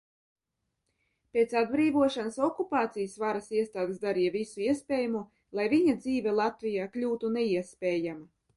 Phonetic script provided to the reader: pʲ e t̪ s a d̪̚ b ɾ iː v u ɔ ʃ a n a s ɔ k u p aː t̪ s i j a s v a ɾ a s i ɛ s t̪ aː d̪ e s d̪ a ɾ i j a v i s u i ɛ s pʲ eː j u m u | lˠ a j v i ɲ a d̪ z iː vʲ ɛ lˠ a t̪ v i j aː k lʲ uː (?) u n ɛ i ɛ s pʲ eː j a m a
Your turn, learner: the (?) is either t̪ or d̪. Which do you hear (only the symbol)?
t̪